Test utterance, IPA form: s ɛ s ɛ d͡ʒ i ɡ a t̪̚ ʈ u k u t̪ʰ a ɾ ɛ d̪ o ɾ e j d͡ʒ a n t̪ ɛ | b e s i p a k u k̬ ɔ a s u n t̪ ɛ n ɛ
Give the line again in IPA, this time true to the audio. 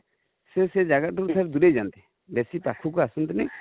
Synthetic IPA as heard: s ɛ s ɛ d͡ʒ a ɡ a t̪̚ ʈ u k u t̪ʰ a ɾ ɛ d̪ u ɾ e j d͡ʒ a n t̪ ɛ | b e s i p a kʰ u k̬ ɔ a s u n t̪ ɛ n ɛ

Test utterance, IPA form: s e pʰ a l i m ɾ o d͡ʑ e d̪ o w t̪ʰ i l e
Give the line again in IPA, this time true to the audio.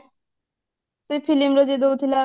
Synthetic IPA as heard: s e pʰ i l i m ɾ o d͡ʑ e d̪ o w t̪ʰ i l a

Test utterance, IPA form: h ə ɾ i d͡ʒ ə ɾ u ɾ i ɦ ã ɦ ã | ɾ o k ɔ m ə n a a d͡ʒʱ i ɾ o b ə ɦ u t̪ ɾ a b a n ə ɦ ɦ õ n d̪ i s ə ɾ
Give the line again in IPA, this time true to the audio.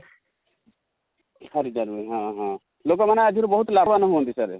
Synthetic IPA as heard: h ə ɾ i d͡ʒ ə ɾ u ɾ i ɦ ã ɦ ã | l o k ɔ m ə n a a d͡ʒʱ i ɾ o b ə ɦ u t̪ l a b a n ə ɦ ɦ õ n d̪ i s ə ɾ

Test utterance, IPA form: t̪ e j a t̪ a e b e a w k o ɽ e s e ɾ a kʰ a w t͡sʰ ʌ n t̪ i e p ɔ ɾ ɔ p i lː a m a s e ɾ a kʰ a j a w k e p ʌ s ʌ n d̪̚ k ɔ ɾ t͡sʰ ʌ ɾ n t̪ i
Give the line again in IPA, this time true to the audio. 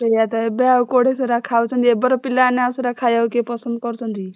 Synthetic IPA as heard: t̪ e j a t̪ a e b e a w k o ɽ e s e ɾ a kʰ a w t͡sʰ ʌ n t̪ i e b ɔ ɾ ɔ p i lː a n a s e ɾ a kʰ a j a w k e p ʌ s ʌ n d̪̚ k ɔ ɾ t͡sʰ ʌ n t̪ i

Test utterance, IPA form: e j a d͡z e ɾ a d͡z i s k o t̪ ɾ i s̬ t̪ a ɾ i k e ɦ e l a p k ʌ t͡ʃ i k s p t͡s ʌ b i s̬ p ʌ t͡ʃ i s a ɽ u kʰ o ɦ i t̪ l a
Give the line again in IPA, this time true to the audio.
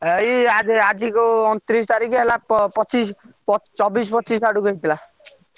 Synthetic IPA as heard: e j a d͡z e a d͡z i k o t̪ ɾ i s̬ t̪ a ɾ i k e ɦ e l a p p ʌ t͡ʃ i s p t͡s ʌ b i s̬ p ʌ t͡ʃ i s a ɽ u k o ɦ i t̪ l a

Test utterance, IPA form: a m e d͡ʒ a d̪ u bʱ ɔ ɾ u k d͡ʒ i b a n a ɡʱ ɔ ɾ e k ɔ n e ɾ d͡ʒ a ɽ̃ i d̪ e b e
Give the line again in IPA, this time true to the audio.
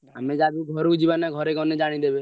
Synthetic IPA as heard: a m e d͡ʒ a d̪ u ɡʱ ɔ ɾ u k d͡ʒ i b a n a ɡʱ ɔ ɾ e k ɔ n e d͡ʒ a ɽ̃ i d̪ e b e

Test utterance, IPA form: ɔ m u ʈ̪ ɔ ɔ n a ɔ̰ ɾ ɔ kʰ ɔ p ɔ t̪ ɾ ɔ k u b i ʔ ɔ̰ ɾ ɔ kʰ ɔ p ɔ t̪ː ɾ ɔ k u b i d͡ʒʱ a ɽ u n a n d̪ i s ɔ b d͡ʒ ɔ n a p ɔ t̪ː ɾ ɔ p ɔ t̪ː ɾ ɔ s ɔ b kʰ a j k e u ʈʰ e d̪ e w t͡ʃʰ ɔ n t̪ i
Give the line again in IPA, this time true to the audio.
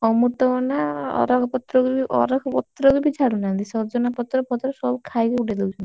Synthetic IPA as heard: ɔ m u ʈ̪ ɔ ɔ n a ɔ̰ ɾ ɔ kʰ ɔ p ɔ t̪ ɾ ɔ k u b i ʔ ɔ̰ ɾ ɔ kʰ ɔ p ɔ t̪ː ɾ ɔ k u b i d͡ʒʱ a ɽ u n a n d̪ i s ɔ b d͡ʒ ɔ n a p ɔ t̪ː ɾ ɔ p ɔ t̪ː ɾ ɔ s ɔ b kʰ a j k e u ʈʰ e d̪ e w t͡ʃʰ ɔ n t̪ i

